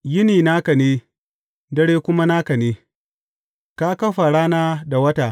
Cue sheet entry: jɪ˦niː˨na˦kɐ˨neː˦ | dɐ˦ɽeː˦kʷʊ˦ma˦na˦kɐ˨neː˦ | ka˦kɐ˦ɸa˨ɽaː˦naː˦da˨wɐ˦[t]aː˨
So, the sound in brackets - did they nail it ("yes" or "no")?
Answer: yes